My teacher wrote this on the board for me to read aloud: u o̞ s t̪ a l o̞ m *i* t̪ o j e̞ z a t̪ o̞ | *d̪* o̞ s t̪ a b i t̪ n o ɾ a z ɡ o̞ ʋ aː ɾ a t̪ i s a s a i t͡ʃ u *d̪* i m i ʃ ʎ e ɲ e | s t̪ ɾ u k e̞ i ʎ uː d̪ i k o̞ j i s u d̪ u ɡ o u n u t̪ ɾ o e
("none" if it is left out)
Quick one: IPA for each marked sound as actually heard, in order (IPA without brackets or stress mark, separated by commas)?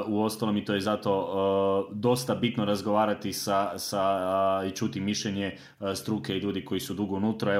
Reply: i, d̪, t̪